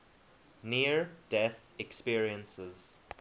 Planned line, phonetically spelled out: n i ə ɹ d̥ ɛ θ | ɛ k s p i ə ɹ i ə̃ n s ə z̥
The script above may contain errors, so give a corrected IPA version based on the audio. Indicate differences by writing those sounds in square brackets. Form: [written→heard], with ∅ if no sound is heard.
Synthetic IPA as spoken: n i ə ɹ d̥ ɛ θ | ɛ k s p i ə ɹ i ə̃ n s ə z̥